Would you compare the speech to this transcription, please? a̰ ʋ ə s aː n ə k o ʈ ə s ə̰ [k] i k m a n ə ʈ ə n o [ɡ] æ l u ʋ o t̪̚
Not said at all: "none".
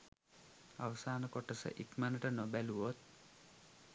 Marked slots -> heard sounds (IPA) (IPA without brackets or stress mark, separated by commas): ʔ, b